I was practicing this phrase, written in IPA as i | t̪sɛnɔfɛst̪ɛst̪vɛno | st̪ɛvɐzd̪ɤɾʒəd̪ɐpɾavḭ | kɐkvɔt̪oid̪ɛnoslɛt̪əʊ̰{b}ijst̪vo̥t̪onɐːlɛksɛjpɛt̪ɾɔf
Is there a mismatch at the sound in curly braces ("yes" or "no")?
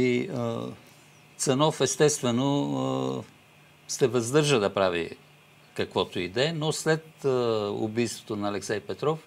no